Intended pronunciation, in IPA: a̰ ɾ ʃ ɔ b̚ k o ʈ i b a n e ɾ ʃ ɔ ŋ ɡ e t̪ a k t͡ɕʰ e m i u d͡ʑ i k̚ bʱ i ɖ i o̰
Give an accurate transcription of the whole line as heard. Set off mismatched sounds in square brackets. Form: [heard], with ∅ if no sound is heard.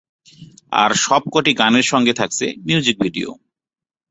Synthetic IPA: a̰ ɾ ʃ ɔ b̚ k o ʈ i [ɡ] a n e ɾ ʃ ɔ ŋ ɡ e [t̪ʰ] a k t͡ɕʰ e m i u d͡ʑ i k̚ bʱ i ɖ i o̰

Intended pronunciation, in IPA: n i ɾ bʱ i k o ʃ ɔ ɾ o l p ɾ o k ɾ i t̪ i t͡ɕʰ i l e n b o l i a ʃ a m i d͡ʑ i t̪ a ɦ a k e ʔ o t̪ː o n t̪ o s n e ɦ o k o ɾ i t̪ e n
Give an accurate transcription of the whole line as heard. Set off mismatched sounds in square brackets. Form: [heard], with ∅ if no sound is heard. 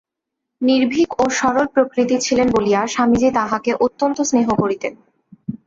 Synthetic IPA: n i ɾ bʱ i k o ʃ ɔ ɾ o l p ɾ o k ɾ i t̪ i t͡ɕʰ i l e n b o l i a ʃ a m i d͡ʑ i t̪ a ɦ a k e ʔ o t̪ː o n t̪ o s n e ɦ o k o ɾ i t̪ e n

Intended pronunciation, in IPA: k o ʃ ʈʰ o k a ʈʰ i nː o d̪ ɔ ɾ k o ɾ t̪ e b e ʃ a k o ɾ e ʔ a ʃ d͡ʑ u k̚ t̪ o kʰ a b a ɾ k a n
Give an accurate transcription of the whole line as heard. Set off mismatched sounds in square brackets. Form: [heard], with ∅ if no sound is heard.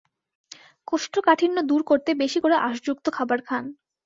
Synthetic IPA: k o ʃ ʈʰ o k a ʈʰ i nː o d̪ [u] ɾ k o ɾ t̪ e b e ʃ [i] k o ɾ e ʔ a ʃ d͡ʑ u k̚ t̪ o kʰ a b a ɾ [kʰ] a n

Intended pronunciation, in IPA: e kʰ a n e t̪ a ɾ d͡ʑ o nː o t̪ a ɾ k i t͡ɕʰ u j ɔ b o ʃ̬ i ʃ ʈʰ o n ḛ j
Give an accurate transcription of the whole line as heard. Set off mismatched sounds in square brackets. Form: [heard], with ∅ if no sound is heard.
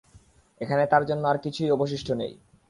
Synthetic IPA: e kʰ a n e t̪ a ɾ d͡ʑ o nː o [∅] a ɾ k i t͡ɕʰ u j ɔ b o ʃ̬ i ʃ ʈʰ o n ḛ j

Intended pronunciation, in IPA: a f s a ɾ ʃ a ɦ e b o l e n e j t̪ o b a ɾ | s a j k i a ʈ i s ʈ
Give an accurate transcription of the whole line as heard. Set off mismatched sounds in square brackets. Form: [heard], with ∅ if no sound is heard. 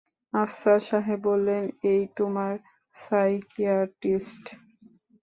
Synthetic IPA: a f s a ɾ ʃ a ɦ e b o [lː] e n e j t̪ o [m] a ɾ | s a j k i a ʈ i s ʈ

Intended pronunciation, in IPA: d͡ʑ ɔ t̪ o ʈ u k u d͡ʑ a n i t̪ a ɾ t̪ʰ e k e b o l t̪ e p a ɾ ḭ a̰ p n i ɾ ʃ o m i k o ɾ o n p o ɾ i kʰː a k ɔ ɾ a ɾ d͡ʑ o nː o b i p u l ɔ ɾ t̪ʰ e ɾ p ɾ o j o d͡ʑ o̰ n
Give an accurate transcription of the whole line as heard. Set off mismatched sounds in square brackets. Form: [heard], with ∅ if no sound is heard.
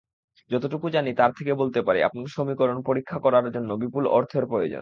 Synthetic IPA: d͡ʑ ɔ t̪ o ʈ u k u d͡ʑ a n i t̪ a ɾ t̪ʰ e k e b o l t̪ e p a ɾ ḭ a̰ p n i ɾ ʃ o m i k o ɾ o n p o ɾ i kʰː a k ɔ ɾ a ɾ d͡ʑ o nː o b i p u l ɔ ɾ t̪ʰ e ɾ p ɾ o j o d͡ʑ o̰ n

